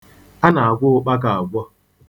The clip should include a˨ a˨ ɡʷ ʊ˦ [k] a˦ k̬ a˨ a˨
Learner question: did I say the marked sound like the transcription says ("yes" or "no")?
no